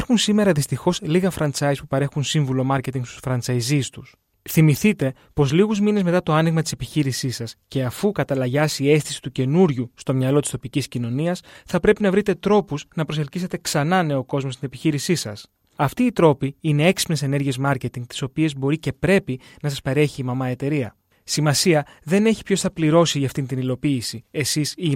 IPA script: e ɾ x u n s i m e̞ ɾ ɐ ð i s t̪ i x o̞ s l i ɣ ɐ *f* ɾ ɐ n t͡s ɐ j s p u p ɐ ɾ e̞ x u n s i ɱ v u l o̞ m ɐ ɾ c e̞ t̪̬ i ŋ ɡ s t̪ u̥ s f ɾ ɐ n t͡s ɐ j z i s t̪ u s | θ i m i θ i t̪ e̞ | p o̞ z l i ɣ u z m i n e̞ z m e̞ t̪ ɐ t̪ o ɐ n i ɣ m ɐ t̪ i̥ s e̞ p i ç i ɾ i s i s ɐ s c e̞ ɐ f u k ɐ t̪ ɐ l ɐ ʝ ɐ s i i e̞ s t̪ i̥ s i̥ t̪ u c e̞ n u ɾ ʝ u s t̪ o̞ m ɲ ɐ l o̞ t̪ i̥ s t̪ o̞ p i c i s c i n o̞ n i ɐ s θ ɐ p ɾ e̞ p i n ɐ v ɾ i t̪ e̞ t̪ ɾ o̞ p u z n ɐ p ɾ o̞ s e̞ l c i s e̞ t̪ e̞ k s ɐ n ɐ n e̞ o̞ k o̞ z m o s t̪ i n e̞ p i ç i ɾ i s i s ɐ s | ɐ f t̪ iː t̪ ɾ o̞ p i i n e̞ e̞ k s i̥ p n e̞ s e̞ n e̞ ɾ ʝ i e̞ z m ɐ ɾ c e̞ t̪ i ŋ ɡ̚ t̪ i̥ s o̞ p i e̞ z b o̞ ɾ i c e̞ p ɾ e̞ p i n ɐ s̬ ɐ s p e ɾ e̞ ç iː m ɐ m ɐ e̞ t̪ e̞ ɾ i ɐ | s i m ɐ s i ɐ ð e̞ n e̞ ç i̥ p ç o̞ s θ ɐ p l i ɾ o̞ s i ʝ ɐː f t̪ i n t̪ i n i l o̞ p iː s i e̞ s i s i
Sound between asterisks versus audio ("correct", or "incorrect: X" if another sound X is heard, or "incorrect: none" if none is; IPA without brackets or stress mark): correct